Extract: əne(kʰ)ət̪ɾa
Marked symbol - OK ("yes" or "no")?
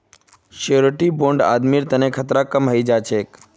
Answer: yes